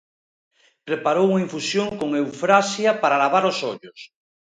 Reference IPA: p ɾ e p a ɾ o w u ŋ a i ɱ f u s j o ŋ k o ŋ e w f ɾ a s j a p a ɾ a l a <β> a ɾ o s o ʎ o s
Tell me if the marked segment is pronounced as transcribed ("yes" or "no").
yes